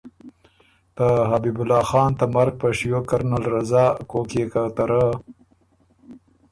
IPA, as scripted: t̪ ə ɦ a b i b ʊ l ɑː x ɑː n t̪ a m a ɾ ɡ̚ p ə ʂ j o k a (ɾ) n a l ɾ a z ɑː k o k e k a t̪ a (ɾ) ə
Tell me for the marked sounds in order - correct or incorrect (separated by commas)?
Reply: correct, correct